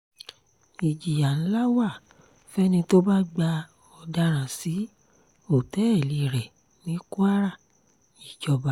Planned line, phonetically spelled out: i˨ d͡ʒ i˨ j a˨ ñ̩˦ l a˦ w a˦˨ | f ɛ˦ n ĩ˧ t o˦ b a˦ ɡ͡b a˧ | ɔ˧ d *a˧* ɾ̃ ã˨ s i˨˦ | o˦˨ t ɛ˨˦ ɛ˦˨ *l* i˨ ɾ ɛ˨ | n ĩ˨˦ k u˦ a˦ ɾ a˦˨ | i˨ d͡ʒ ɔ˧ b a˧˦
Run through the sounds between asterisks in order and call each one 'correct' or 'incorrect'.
correct, correct

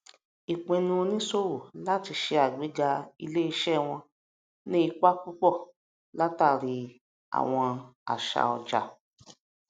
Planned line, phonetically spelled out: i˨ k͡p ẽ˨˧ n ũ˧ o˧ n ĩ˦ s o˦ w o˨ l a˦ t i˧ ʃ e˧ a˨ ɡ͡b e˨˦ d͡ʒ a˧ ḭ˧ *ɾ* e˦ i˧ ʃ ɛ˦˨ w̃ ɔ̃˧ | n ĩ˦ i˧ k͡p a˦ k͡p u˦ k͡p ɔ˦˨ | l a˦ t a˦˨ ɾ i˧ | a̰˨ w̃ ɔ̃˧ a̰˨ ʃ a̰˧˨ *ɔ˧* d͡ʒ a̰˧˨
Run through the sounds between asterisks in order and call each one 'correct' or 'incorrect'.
incorrect: l, correct

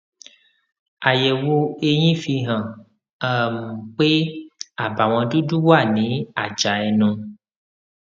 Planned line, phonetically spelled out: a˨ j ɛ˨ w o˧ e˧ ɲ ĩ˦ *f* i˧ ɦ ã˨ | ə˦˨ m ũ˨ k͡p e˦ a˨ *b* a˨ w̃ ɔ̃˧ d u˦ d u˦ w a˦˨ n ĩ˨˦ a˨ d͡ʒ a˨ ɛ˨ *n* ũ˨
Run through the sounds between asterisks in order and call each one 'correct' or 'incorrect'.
correct, correct, correct

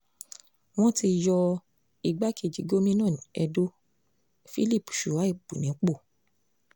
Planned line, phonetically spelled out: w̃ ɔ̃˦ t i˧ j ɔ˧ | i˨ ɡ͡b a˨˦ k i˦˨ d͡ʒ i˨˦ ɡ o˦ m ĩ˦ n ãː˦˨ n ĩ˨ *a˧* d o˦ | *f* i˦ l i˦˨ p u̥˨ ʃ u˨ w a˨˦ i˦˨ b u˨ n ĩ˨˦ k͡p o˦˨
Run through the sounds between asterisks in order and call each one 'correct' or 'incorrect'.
incorrect: ɛ˧, correct

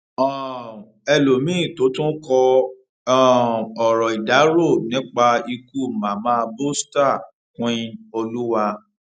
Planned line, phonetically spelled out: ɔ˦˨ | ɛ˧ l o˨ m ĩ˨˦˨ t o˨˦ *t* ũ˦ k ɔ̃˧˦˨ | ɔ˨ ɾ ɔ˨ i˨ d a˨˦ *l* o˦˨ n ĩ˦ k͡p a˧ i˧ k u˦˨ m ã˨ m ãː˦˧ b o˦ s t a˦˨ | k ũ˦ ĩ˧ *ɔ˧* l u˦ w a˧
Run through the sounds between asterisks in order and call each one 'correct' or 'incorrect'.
correct, incorrect: ɾ, incorrect: o˧

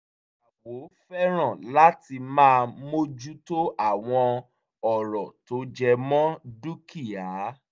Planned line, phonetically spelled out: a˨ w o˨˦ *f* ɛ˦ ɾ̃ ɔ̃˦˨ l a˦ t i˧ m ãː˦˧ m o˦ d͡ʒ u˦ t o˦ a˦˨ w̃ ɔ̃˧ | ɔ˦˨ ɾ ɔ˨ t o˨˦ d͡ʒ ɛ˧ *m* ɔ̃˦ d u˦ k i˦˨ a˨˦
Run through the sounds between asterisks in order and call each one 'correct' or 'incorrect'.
correct, correct

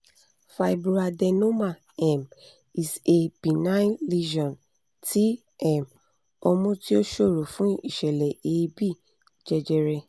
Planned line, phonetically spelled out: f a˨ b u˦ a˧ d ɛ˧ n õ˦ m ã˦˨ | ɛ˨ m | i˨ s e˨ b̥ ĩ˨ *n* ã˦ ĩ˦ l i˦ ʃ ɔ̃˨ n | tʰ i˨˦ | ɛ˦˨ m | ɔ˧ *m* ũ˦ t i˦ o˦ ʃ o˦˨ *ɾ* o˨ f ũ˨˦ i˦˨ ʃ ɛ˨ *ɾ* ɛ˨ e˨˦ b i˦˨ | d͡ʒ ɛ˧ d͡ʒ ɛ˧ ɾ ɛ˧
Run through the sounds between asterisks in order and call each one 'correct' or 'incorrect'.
correct, correct, correct, incorrect: l

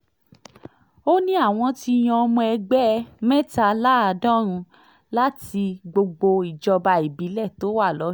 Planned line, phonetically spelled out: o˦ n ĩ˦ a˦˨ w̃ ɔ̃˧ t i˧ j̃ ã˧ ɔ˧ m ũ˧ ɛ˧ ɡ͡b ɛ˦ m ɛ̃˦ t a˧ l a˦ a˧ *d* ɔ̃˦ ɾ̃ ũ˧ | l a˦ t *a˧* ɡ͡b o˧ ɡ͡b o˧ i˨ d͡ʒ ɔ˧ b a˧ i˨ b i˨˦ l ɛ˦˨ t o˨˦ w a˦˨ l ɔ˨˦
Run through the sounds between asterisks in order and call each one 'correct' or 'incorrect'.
correct, incorrect: i˧

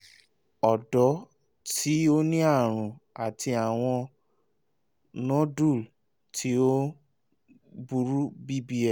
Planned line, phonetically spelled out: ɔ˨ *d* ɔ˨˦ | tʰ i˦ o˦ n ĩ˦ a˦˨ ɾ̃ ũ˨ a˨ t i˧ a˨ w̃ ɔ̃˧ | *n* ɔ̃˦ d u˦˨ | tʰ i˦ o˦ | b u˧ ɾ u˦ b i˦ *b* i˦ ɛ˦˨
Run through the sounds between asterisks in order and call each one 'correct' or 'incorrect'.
correct, correct, correct

